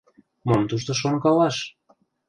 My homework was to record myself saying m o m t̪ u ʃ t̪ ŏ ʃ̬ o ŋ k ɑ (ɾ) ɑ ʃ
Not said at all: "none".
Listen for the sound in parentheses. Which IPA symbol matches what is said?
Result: l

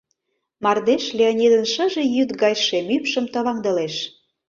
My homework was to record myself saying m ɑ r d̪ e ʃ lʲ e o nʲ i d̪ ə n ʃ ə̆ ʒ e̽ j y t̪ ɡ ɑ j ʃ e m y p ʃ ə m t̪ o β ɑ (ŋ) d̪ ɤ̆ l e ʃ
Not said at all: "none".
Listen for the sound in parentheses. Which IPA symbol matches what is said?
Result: ŋ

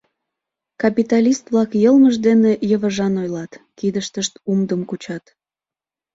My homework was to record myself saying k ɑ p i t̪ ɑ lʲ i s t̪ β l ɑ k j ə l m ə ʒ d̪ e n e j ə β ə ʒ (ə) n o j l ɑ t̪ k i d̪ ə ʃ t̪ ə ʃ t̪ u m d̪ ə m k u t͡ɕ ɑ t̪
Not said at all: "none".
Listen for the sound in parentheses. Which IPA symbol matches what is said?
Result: ɑ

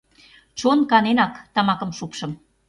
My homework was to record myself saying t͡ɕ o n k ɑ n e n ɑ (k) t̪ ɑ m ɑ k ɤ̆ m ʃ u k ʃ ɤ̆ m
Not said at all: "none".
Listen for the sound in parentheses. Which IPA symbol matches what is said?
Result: k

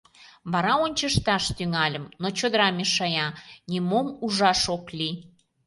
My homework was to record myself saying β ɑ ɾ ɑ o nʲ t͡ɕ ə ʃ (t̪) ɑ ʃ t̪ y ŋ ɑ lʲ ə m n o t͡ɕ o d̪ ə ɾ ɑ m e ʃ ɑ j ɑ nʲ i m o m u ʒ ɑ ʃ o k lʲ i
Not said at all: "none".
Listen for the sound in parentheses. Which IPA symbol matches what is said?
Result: t̪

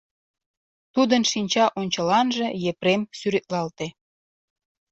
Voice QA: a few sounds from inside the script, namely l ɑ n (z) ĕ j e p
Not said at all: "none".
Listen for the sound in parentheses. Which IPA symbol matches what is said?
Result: ʒ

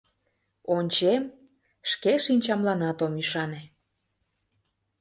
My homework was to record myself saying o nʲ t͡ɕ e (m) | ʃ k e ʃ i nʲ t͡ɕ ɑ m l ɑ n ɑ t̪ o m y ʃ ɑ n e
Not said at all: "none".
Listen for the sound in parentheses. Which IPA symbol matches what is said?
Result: m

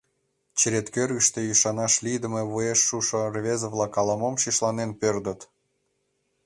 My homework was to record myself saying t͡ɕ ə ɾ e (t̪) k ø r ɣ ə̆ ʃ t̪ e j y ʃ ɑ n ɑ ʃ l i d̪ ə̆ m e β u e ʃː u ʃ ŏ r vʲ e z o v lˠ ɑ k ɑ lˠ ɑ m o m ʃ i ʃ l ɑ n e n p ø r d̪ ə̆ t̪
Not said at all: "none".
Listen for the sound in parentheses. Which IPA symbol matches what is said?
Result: t̪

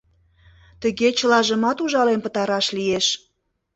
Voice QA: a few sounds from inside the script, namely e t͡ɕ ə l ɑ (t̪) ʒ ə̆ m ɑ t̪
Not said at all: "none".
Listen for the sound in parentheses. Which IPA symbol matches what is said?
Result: none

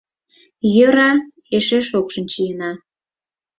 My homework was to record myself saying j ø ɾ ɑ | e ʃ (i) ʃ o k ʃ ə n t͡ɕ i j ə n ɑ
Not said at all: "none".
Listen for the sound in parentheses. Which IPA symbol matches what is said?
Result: e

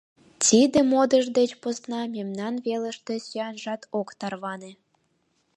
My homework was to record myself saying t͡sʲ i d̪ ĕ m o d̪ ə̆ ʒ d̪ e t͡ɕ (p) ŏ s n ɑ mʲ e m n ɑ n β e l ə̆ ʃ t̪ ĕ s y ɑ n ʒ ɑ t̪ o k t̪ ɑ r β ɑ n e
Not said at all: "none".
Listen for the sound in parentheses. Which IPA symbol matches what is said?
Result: p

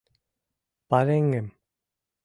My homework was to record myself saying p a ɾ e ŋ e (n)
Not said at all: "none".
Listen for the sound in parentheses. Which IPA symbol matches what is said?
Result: m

